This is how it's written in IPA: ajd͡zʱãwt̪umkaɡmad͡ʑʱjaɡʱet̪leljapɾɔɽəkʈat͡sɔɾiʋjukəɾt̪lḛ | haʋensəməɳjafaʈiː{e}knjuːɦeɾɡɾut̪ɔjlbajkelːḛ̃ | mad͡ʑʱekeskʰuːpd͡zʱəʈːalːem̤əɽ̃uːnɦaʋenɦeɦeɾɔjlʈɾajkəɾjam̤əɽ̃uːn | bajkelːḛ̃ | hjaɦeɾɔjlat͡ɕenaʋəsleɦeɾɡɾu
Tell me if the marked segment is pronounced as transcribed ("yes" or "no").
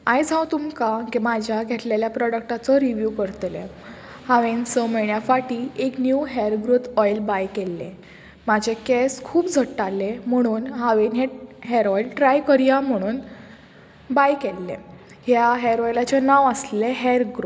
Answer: yes